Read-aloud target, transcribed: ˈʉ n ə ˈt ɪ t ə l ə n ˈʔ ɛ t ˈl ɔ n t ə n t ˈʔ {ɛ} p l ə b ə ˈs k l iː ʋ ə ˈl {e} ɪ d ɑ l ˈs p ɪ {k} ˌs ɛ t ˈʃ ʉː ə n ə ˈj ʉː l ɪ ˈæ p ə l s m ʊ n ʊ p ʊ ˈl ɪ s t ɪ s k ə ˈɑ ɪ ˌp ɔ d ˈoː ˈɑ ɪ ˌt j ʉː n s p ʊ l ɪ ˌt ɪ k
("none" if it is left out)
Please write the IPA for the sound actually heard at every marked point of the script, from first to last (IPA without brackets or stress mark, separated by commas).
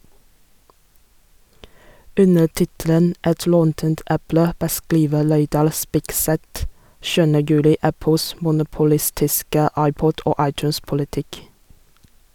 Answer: æ, e, k